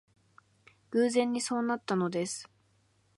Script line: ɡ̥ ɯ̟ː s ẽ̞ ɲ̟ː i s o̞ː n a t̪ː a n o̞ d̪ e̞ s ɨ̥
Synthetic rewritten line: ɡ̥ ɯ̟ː z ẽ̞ ɲ̟ː i s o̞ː n a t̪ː a n o̞ d̪ e̞ s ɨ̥